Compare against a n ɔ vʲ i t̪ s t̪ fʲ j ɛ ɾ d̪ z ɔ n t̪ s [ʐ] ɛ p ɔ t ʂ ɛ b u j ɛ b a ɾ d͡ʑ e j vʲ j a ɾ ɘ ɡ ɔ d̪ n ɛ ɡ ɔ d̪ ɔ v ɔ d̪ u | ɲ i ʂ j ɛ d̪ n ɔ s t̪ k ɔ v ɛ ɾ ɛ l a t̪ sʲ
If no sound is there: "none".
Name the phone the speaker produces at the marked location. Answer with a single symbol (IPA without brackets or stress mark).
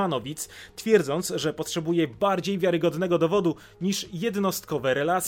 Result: ʐ